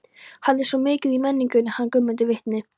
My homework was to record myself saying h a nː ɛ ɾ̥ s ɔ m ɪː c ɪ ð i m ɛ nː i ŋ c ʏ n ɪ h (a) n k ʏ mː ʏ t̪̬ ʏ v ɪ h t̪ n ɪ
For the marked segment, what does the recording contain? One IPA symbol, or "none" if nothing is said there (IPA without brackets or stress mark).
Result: a